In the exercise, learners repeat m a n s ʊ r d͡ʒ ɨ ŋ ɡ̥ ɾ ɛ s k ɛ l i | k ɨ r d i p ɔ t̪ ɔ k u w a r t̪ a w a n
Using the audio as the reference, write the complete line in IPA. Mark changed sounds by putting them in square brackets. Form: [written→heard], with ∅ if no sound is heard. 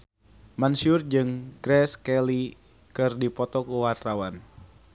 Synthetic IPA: m a n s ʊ r d͡ʒ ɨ ŋ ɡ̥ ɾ ɛ s k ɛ l i | k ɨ r d i p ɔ t̪ ɔ k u w a r t̪ a w a n